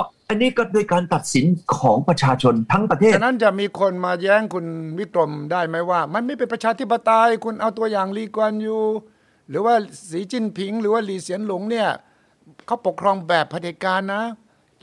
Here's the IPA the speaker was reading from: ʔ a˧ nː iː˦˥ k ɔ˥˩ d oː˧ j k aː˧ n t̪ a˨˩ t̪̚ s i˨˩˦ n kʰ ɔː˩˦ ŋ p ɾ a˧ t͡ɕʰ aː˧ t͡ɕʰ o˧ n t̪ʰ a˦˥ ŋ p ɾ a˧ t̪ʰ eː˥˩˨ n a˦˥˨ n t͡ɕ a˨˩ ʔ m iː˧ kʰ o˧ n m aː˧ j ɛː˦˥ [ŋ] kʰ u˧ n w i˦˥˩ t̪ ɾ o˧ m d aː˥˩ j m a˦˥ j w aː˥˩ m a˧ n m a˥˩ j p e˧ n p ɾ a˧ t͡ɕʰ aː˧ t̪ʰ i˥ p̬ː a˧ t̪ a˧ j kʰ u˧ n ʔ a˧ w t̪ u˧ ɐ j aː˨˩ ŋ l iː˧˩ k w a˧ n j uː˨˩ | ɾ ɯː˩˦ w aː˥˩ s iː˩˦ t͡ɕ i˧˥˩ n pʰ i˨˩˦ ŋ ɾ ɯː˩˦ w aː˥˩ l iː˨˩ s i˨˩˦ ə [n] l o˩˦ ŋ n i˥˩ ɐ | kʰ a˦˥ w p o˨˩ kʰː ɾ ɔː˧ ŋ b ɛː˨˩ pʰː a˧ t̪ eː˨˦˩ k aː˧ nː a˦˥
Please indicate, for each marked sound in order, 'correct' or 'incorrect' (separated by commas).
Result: correct, correct